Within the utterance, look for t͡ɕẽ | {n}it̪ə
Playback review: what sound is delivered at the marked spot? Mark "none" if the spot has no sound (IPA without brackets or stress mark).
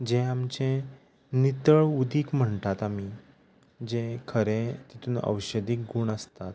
n